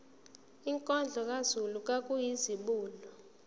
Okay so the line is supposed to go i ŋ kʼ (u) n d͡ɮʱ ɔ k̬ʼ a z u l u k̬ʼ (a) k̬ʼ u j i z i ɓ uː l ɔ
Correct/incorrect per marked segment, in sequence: incorrect: ɔ, correct

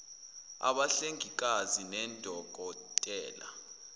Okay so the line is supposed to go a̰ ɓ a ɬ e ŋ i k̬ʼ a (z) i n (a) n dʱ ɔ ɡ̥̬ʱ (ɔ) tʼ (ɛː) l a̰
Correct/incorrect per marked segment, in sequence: correct, incorrect: ɛ, correct, correct

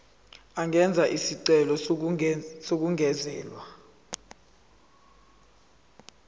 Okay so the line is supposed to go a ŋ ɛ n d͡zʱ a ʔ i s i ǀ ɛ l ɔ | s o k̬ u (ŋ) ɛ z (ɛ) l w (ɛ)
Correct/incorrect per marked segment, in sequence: correct, incorrect: ɛː, incorrect: a

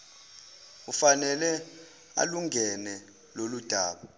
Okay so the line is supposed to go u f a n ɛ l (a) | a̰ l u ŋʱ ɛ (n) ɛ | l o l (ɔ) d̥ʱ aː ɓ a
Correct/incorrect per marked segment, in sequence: incorrect: ɛ, correct, incorrect: u

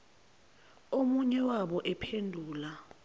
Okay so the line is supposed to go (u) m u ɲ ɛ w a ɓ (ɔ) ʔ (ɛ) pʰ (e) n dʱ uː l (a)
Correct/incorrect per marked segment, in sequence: incorrect: o, correct, correct, correct, correct

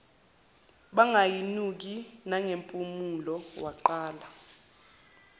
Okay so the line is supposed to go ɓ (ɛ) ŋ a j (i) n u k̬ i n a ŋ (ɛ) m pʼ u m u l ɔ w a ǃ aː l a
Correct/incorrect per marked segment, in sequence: incorrect: a, correct, incorrect: e

